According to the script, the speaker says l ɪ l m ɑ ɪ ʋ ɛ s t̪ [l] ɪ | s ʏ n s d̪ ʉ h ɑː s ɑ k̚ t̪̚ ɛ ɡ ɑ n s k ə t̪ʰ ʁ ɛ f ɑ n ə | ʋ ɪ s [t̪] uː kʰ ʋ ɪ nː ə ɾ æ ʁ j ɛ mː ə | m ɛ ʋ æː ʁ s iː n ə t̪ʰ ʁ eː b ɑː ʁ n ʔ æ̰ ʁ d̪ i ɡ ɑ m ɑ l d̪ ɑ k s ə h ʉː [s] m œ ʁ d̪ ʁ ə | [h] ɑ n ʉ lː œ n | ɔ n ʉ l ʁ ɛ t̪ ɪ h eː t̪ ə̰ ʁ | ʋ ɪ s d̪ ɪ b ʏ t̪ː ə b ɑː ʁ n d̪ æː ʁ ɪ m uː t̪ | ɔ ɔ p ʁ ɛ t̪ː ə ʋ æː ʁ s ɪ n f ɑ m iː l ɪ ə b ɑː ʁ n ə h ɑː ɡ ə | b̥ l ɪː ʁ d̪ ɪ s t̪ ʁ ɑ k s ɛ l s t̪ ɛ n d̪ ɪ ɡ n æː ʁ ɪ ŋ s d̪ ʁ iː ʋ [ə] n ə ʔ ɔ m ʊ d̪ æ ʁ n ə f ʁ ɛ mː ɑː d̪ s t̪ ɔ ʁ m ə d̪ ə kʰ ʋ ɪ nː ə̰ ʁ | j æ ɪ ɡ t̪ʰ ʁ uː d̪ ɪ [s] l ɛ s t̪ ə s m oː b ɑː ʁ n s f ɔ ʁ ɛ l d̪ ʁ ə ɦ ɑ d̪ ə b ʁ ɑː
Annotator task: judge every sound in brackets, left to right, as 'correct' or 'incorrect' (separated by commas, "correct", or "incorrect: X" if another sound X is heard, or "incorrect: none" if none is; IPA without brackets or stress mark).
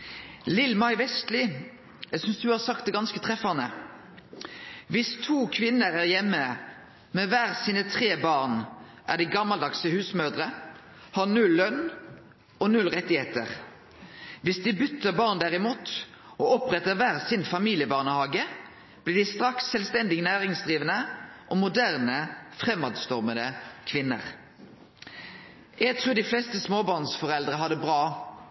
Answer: correct, incorrect: t̪ʰ, correct, correct, correct, incorrect: f